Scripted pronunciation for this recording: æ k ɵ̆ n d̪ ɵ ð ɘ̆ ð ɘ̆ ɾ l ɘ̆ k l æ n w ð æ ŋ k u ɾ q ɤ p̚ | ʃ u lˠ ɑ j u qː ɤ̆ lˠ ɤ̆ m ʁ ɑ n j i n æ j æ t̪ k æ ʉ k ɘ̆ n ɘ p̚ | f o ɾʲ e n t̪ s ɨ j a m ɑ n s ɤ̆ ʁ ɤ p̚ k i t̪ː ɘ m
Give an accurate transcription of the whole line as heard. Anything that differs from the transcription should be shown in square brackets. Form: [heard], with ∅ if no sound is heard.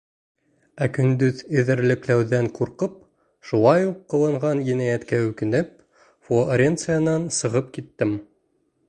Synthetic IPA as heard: æ k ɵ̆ n d̪ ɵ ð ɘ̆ ð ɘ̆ ɾ l ɘ̆ k l æ [∅] w ð æ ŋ [q] u ɾ q ɤ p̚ | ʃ u lˠ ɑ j u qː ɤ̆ lˠ ɤ̆ [ɴ] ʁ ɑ n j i n æ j æ t̪ k æ ʉ k ɘ̆ n ɘ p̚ | f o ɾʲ e n t̪ s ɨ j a [n] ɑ n s ɤ̆ ʁ ɤ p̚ k i t̪ː ɘ m